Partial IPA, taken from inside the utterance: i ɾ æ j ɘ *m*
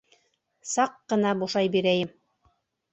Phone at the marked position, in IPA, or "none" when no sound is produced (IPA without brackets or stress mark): m